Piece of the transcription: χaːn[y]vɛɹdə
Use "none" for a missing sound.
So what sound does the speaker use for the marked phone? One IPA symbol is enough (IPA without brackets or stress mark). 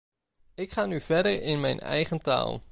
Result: y